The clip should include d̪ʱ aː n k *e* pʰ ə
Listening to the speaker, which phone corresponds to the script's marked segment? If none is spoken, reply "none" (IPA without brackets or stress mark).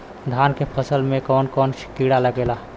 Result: e